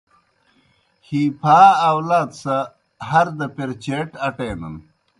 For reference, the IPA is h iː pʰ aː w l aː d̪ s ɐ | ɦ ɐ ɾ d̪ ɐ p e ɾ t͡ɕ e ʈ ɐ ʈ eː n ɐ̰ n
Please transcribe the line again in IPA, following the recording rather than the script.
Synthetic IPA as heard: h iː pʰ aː w l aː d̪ s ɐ | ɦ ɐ ɾ d̪ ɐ p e ɾ t͡ɕ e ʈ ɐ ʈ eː n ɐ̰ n